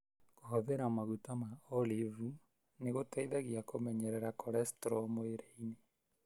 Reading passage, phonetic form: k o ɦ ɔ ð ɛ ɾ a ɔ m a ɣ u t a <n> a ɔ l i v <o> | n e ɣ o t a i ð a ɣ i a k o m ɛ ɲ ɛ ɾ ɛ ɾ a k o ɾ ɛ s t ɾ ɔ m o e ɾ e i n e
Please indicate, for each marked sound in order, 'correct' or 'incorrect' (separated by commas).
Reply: incorrect, incorrect